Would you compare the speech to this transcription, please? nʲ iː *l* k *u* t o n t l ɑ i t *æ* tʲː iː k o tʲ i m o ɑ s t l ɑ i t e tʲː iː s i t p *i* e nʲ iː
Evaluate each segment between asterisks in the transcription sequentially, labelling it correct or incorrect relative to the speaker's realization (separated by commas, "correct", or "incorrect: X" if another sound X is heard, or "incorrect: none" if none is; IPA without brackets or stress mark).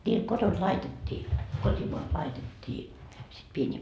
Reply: correct, incorrect: o, incorrect: e, correct